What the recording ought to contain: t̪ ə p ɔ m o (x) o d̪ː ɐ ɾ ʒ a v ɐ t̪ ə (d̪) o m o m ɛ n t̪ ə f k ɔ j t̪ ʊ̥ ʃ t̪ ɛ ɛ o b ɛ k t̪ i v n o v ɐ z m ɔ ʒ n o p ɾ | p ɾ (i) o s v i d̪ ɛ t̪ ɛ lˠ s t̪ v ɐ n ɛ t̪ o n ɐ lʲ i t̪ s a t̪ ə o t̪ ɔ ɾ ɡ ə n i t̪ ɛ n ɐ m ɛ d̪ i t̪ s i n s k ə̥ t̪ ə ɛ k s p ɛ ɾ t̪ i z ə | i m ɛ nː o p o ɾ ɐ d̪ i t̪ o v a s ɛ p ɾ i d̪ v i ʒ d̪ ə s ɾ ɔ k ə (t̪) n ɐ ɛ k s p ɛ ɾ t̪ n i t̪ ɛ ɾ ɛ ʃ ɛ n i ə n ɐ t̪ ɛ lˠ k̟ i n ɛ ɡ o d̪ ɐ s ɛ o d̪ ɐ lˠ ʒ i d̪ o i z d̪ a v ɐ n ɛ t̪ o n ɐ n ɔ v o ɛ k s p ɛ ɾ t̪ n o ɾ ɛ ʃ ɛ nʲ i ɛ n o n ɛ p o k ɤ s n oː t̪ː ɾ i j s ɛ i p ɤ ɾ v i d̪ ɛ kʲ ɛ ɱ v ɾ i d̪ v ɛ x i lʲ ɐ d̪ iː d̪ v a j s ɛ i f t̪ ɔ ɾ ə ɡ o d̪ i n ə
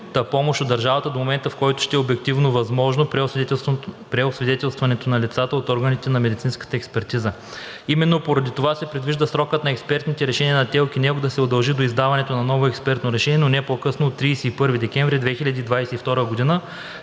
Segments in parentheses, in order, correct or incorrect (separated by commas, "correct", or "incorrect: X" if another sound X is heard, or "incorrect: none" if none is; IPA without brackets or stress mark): incorrect: ʃ, correct, incorrect: ɛ, correct